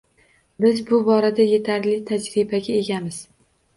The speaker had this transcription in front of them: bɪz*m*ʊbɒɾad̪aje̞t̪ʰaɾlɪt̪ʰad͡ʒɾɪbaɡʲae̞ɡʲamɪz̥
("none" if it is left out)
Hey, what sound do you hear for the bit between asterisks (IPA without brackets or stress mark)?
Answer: b